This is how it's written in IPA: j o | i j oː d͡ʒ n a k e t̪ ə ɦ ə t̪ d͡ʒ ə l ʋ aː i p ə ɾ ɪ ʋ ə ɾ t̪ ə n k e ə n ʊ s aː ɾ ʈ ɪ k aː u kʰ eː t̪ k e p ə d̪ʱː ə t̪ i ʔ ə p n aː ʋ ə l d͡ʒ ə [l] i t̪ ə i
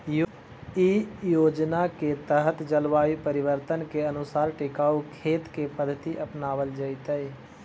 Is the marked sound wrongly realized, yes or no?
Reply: yes